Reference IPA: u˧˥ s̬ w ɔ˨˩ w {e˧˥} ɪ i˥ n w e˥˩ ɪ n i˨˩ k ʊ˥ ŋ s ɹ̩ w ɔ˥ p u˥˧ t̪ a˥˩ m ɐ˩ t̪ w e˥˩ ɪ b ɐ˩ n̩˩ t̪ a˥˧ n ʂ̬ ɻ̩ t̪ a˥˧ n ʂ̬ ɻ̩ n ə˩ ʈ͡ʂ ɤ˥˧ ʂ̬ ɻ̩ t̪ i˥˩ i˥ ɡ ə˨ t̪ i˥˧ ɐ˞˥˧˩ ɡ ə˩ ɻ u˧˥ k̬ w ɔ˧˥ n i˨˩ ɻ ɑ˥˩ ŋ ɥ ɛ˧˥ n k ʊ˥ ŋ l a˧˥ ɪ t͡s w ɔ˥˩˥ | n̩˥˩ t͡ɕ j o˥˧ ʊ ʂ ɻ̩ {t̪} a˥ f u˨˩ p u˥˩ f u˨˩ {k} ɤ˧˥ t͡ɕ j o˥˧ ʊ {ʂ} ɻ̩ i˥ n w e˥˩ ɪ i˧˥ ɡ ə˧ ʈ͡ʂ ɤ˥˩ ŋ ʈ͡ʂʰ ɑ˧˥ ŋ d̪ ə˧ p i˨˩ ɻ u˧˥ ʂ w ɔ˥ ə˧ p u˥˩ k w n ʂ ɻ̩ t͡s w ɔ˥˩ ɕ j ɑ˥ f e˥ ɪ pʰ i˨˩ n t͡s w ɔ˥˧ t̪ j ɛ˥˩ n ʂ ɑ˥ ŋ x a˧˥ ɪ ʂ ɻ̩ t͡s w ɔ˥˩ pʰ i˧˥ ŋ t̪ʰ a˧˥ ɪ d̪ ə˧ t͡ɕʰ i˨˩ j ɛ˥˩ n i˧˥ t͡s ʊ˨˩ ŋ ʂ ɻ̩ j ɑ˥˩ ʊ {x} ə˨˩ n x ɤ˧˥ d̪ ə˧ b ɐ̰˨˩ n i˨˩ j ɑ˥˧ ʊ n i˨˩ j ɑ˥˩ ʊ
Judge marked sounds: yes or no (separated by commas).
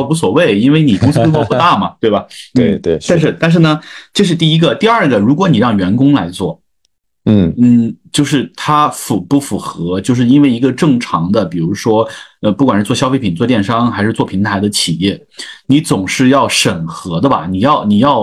no, no, no, yes, no